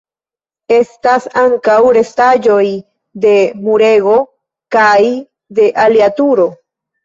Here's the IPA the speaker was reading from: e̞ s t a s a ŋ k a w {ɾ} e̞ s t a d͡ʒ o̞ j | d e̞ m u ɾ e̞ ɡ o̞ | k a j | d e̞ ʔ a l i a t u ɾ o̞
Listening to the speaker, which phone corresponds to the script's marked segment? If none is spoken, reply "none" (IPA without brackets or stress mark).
ɾ